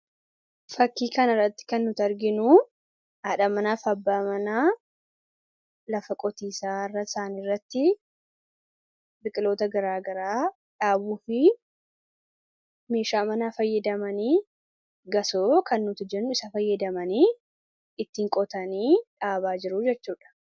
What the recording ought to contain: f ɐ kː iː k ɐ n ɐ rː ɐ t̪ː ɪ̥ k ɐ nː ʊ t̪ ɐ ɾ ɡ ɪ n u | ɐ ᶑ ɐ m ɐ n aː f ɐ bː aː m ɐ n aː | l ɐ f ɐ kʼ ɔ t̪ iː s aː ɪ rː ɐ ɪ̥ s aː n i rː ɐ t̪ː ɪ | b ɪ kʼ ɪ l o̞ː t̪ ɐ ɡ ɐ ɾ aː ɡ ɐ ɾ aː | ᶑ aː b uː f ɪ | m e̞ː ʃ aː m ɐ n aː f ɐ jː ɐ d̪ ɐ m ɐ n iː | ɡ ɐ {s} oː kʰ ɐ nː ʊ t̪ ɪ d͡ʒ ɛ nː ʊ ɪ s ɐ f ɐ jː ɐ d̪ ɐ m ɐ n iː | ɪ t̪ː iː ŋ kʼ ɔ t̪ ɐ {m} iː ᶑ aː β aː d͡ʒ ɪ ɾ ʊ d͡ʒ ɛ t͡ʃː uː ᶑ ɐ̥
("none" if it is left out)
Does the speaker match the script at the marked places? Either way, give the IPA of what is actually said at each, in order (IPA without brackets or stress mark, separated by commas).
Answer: s, n